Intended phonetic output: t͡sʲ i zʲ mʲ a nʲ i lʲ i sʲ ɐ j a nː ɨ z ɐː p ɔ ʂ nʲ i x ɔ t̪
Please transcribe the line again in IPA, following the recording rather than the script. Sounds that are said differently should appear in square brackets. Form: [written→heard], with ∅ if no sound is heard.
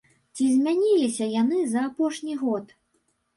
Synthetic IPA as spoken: t͡sʲ i zʲ mʲ a nʲ i lʲ i sʲ ɐ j a [nː→n] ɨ z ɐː p ɔ ʂ nʲ i [x→ɣ] ɔ t̪